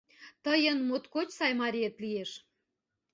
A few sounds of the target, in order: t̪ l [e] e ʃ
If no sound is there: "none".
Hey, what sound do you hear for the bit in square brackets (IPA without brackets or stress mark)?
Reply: i